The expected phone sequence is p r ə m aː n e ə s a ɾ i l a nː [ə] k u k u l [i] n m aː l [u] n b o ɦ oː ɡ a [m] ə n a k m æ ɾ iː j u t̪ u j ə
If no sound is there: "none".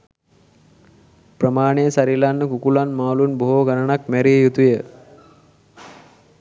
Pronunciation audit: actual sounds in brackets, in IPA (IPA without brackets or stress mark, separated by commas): ə, a, u, n